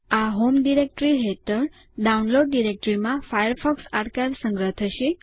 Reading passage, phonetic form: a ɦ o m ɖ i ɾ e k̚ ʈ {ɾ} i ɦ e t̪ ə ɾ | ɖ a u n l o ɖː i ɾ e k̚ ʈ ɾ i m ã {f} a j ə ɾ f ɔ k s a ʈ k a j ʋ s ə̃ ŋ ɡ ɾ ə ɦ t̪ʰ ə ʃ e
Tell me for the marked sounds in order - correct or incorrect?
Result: correct, correct

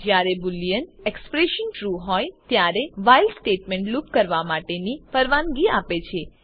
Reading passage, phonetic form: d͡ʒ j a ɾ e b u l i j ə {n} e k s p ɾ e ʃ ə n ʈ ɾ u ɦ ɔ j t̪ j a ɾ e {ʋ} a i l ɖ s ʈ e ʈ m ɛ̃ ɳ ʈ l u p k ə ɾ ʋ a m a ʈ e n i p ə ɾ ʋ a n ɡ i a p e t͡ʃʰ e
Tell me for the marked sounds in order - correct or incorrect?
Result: correct, correct

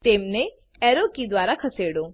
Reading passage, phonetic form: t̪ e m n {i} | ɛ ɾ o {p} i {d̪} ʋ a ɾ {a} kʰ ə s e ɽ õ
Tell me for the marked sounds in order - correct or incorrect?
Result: incorrect: e, incorrect: k, correct, correct

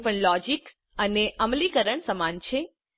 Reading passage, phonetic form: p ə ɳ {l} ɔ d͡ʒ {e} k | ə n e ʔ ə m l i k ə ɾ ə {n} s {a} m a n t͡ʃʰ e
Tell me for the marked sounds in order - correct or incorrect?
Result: correct, incorrect: i, incorrect: ɳ, incorrect: ə

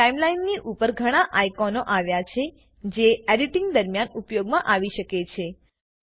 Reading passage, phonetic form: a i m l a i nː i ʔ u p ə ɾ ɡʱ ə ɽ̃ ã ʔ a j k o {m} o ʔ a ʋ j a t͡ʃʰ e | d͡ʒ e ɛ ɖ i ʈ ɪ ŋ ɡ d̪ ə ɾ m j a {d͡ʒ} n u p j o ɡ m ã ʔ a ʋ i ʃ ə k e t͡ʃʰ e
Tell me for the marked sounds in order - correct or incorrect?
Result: incorrect: n, incorrect: none

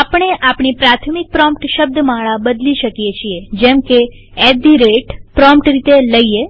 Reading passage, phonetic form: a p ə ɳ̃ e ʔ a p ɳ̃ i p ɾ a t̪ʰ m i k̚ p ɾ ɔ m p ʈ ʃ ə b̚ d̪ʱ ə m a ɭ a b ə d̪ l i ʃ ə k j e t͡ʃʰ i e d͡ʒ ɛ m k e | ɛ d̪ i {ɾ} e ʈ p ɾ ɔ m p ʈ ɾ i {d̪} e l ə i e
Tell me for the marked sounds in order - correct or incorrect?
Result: correct, incorrect: t̪

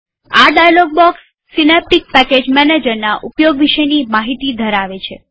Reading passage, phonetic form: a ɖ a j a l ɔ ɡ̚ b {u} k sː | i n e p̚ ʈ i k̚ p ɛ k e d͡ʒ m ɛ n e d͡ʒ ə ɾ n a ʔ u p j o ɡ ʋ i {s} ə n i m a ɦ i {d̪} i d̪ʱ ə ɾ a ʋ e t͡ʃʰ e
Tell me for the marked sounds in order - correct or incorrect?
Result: incorrect: ɔ, incorrect: ʃ, incorrect: t̪

